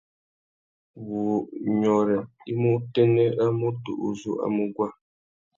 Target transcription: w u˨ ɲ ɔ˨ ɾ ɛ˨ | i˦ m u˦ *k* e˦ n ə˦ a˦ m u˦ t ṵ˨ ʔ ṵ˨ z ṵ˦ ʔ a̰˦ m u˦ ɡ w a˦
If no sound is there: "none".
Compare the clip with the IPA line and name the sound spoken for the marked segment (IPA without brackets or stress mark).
t